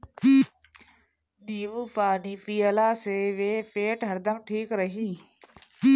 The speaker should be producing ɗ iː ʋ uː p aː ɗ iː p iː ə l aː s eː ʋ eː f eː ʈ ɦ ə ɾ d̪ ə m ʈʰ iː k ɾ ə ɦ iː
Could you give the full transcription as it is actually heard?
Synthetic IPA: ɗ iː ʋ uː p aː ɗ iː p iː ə l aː s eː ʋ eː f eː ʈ ɦ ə ɾ d̪ ə m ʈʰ iː k ɾ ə ɦ iː